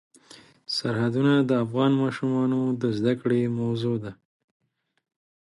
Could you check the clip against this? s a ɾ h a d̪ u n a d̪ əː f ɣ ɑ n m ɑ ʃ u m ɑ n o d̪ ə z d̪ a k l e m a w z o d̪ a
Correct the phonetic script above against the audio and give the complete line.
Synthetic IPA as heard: s a ɾ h a d̪ u n a d̪ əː f ɣ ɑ n m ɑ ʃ u m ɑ n o d̪ ə z d̪ a k ɽ e m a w z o d̪ a

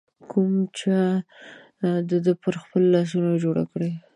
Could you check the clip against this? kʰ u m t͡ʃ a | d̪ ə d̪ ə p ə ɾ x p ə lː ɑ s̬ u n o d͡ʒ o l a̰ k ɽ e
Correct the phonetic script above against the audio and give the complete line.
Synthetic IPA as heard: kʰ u m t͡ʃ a | d̪ ə d̪ ə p ə ɾ x p ə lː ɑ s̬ u n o d͡ʒ o ɽ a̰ k ɽ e

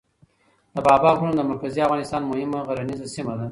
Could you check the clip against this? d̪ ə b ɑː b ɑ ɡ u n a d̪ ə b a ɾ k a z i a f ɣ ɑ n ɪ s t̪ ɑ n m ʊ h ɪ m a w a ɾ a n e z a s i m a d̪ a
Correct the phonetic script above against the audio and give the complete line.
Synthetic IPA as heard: d̪ ə b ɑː b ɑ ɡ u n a d̪ ə m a ɾ k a z i a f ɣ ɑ n ɪ s t̪ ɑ n m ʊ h ɪ m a ɣ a ɾ a n i z a s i m a d̪ a

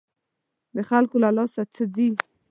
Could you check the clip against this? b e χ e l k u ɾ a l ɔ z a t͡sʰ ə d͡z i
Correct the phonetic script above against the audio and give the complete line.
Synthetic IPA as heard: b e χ a l k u l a l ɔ s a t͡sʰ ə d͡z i

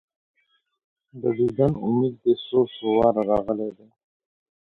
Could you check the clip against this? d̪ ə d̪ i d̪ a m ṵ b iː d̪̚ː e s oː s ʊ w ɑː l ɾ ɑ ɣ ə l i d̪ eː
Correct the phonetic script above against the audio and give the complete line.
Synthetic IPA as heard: d̪ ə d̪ i d̪ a n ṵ m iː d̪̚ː e s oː s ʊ w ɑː ɾ ɾ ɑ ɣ ə l e d̪ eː

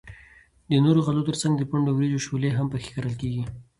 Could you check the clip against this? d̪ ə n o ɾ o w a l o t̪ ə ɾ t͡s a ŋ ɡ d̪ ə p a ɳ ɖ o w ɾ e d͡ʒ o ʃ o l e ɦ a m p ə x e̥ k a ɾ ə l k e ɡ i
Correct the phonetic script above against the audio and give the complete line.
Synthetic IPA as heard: d̪ ə n o ɾ o ɣ a l o t̪ ə ɾ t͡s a ŋ ɡ d̪ ə p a ɳ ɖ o w ɾ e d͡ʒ o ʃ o l e ɦ a m p ə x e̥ k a ɾ ə l k e ɡ i

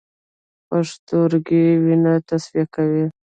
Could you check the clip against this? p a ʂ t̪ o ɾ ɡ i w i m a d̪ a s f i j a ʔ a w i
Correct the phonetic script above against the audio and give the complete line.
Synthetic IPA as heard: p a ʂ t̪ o ɾ ɡ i w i n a t̪ a s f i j a k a w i

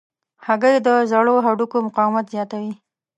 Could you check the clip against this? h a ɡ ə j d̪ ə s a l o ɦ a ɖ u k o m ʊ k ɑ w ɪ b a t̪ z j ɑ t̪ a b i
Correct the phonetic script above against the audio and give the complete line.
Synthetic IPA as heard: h a ɡ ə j d̪ ə z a ɽ o ɦ a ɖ u k o m ʊ q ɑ w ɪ m a t̪ z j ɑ t̪ a w i

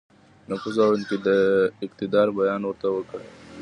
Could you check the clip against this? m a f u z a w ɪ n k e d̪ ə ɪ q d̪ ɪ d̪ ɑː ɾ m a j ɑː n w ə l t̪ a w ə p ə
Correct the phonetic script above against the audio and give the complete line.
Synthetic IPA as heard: n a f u z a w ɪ n k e d̪ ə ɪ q t̪ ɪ d̪ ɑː ɾ b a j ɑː n w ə ɾ t̪ a w ə k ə

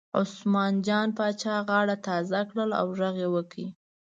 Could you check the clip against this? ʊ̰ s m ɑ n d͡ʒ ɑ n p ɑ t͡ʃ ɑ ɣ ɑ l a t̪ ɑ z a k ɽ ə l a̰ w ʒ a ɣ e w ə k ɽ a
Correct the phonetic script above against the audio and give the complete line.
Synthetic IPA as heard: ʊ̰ s m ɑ n d͡ʒ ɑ n p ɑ t͡ʃ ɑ ɣ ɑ ɽ a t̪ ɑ z a k ɽ ə l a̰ w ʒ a ɣ e w ə k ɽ i

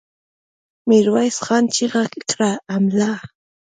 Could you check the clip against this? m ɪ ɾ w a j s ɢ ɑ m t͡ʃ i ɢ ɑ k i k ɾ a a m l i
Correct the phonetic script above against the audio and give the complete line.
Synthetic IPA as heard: m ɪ ɾ w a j s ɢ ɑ n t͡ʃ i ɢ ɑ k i k ɾ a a m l a

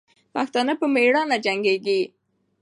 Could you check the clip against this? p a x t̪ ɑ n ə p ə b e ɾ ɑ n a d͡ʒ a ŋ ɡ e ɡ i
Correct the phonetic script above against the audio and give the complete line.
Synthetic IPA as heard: p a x t̪ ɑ n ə p ə m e ɽ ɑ n a d͡ʒ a ŋ ɡ e ɡ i

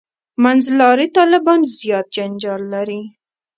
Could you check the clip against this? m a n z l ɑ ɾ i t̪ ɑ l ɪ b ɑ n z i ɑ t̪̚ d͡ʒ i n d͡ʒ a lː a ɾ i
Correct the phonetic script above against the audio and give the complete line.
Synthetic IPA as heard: m a n z l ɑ ɾ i t̪ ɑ l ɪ b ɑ n z j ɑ t̪̚ d͡ʒ a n d͡ʒ ɑ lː a ɾ i

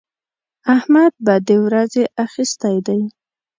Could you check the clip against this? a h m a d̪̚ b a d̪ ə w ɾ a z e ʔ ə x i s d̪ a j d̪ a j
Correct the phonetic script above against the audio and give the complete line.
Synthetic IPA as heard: a h m a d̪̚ b a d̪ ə w ɾ a z e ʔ a x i s t̪ a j d̪ a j

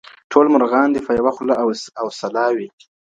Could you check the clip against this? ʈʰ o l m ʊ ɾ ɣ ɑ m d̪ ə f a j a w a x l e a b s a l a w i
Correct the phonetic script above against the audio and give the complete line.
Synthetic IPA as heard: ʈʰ o l m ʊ ɾ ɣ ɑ n d̪ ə f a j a w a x l a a w s a l ɑ w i

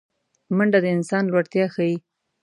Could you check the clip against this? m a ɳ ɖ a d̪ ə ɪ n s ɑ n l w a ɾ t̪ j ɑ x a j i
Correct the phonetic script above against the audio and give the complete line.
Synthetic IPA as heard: m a ɳ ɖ a d̪ ə ɪ n s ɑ n l w a ɽ t̪ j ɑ x a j i

